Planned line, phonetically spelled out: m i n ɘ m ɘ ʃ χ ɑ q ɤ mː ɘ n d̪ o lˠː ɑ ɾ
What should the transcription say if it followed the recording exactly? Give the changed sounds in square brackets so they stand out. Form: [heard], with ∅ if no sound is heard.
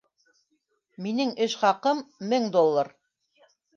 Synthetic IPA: m i n ɘ [ŋ] ɘ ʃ χ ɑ q ɤ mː ɘ [ŋ] d̪ o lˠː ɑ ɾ